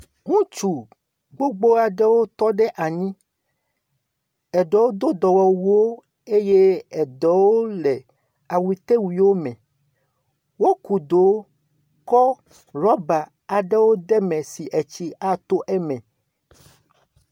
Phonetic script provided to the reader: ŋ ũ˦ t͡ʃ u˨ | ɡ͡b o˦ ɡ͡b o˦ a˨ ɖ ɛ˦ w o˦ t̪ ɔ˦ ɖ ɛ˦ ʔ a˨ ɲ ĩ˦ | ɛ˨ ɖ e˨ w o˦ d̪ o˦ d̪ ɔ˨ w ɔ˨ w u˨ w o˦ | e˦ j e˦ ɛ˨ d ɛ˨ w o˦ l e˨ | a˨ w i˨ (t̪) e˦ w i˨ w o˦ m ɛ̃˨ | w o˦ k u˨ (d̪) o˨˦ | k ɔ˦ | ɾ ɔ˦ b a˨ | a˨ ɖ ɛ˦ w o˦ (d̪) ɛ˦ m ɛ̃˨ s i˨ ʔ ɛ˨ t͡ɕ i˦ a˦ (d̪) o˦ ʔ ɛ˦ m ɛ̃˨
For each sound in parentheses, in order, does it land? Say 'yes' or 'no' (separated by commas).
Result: yes, yes, yes, no